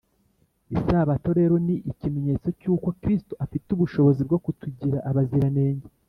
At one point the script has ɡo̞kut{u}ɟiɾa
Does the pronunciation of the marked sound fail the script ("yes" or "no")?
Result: no